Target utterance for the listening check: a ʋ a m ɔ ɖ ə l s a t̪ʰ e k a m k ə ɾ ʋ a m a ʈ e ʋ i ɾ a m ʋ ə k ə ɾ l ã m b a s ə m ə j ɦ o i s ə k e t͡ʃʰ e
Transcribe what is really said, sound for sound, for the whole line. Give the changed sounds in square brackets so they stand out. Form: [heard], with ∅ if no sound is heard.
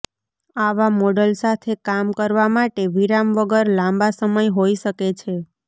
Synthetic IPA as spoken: a ʋ a m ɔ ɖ ə l s a t̪ʰ e k a m k ə ɾ ʋ a m a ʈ e ʋ i ɾ a m ʋ ə [ɡ] ə ɾ l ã m b a s ə m ə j ɦ o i [ʃ] ə k e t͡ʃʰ e